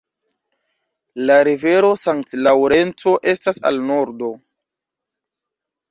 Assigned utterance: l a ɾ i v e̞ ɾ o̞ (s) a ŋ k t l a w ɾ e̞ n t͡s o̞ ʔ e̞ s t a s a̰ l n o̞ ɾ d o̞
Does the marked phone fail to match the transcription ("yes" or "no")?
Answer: no